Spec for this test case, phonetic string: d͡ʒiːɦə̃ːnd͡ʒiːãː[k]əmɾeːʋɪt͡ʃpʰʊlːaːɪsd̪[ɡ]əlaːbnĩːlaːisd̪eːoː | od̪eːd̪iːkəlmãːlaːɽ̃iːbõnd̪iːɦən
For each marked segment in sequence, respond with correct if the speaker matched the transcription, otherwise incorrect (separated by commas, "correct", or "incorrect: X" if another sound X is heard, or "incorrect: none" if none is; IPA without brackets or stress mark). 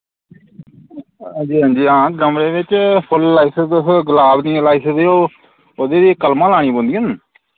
incorrect: ɡ, correct